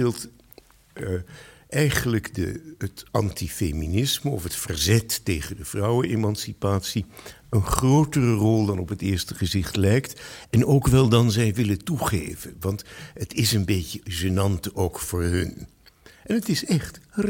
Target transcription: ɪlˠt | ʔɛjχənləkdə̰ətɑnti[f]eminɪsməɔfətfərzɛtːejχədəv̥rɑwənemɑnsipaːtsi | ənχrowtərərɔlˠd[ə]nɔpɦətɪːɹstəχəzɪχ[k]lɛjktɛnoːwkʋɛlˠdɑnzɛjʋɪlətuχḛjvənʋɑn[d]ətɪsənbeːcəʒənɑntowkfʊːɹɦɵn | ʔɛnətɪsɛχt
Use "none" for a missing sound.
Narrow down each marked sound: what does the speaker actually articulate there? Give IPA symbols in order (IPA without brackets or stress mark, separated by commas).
f, ɑ, t, t